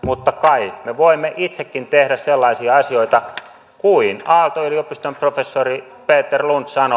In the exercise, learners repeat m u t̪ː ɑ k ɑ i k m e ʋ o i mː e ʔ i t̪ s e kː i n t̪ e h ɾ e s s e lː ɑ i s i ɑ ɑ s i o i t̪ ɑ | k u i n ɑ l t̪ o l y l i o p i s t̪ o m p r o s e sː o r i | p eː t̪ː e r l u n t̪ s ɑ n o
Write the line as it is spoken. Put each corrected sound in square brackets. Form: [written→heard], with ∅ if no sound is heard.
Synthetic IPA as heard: m u t̪ː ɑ k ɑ i k m e ʋ o i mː e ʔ i t̪ s e kː i n t̪ e h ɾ [e→æ] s s e lː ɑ i s i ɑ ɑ s i o i t̪ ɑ | k u i n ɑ l t̪ o [l→∅] y l i o p i s t̪ o m p r o [s→f] e sː o r i | p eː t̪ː e r l u n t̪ s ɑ n o

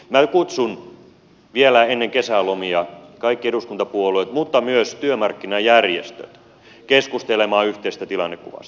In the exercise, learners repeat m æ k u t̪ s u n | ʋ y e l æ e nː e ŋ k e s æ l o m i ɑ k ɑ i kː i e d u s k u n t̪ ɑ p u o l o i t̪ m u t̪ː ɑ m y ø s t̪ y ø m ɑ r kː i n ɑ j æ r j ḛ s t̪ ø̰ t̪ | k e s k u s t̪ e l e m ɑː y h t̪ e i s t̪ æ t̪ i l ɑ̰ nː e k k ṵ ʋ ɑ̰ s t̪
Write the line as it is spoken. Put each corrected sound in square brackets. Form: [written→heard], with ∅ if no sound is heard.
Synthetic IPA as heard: m æ k u t̪ s u n | ʋ [y→i] e l æ e nː e ŋ k e s æ l o m i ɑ k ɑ i kː i e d u s k u n t̪ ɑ p u o l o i t̪ m u t̪ː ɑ m y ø s t̪ y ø m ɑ r kː i n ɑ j æ r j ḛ s t̪ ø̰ t̪ | k e s k u s t̪ e l e m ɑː y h t̪ e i s t̪ æ t̪ i l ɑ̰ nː e k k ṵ ʋ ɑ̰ s t̪

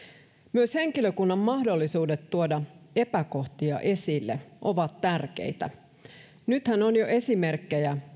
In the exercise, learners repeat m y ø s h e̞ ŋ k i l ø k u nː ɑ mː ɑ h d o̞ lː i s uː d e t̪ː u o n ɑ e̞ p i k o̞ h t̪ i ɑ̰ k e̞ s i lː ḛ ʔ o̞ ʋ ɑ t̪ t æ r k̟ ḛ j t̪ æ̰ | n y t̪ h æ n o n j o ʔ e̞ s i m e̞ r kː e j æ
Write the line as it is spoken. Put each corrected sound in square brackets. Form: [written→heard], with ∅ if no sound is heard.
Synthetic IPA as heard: m y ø s h e̞ ŋ k i l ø k u nː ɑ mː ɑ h d o̞ lː i s uː d e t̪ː u o [n→d] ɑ e̞ p [i→æ] k o̞ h t̪ i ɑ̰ [k→ʔ] e̞ s i lː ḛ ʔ o̞ ʋ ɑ t̪ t æ r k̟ ḛ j t̪ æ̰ | n y t̪ h æ n o n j o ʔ e̞ s i m e̞ r kː e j æ

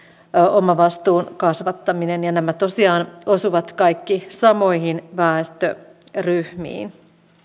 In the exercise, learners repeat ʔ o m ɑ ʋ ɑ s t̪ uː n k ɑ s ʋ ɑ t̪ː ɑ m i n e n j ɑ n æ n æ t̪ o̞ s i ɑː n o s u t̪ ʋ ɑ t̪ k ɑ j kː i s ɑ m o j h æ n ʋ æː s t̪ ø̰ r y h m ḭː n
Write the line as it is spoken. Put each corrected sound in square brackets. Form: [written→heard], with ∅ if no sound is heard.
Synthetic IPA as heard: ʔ o m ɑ ʋ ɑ s t̪ uː n k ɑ s ʋ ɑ t̪ː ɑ m i n e n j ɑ n æ [n→m] æ t̪ o̞ s i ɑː n o s u [t̪→∅] ʋ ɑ t̪ k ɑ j kː i s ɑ m o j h [æ→i] n ʋ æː s t̪ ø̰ r y h m ḭː n

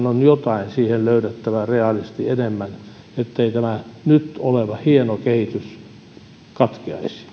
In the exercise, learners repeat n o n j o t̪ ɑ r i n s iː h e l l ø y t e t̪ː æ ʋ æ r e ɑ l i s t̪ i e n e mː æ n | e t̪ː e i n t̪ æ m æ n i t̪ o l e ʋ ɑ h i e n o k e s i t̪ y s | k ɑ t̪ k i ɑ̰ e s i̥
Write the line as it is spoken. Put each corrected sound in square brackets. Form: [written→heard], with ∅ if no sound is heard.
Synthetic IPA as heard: n o n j o t̪ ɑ [r→∅] i n s iː h e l l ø y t e t̪ː æ ʋ æ r e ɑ l i s t̪ i e n e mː æ n | e t̪ː e i [n→∅] t̪ æ m æ n [i→y] t̪ o l e ʋ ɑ h i e n o k e [s→h] i t̪ y s | k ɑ t̪ k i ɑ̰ [e→i] s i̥

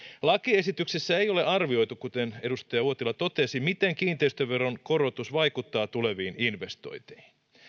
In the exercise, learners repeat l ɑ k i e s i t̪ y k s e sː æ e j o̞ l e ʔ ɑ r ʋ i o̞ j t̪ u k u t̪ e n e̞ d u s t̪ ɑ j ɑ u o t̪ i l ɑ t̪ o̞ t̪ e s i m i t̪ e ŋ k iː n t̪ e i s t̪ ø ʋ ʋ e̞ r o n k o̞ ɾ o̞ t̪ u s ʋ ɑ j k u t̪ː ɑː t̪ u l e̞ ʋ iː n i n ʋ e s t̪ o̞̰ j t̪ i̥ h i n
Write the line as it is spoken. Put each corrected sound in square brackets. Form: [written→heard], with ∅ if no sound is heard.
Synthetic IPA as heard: l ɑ k i e s i t̪ y k s e sː æ e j o̞ l e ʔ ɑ r ʋ i o̞ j t̪ u k u t̪ e n e̞ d u s t̪ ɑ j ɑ u o t̪ i l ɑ t̪ o̞ t̪ e s i m i t̪ e ŋ k iː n t̪ e i s t̪ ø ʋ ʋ e̞ r o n k o̞ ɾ o̞ t̪ u s ʋ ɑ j k u t̪ː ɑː t̪ u l e̞ ʋ iː n i n ʋ e s t̪ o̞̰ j t̪ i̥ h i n

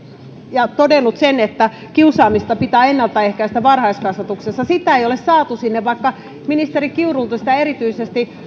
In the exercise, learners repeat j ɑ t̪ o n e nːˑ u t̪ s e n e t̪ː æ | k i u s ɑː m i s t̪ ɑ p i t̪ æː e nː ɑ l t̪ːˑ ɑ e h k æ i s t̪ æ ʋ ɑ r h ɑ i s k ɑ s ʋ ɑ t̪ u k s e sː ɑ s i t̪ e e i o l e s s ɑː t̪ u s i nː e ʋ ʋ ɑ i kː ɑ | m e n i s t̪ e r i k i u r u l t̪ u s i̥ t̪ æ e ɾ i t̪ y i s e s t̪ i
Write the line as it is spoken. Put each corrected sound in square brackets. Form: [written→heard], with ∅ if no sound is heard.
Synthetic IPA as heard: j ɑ t̪ o [n→d] e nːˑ u t̪ s e n e t̪ː æ | k i u s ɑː m i s t̪ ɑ p i t̪ æː e nː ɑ l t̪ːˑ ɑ e h k æ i s t̪ æ ʋ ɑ r h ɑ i s k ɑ s ʋ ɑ t̪ u k s e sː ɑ s i t̪ [e→æ] e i o l e s s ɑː t̪ u s i nː e ʋ ʋ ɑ i kː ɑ | m [e→i] n i s t̪ e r i k i u r u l t̪ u s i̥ t̪ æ e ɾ i t̪ y i s e s t̪ i

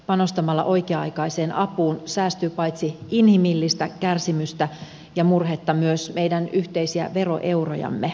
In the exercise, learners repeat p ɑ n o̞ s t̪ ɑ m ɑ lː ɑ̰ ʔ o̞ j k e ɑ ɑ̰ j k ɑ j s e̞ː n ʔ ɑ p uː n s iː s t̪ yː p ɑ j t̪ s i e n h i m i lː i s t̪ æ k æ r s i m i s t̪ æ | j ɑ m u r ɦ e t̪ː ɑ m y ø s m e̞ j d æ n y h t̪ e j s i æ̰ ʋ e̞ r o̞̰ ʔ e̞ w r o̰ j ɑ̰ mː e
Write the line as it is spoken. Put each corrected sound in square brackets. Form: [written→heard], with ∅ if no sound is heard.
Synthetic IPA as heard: p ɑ n o̞ s t̪ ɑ m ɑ lː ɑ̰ ʔ o̞ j k e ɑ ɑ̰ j k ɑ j s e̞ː n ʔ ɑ p uː n s [iː→æː] s t̪ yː p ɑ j t̪ s i [e→i] n h i m i lː i s t̪ æ k æ r s i m [i→y] s t̪ æ | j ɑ m u r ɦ e t̪ː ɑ m y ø s m e̞ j d æ n y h t̪ e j s i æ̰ ʋ e̞ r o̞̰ ʔ e̞ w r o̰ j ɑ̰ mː e

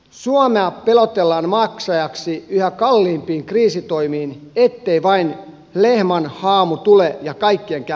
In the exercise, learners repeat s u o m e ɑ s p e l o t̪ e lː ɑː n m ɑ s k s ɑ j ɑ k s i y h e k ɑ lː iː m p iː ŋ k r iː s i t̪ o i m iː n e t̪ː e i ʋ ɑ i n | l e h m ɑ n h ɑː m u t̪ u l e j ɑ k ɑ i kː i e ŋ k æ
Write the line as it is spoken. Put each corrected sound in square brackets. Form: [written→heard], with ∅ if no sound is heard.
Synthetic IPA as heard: s u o m e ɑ [s→∅] p e l o t̪ e lː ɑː n m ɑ [s→∅] k s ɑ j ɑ k s i y h [e→æ] k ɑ lː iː m p iː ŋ k r iː s i t̪ o i m iː n e t̪ː e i ʋ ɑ i n | l e h m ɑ n h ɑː m u t̪ u l e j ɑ k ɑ i kː i e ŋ k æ

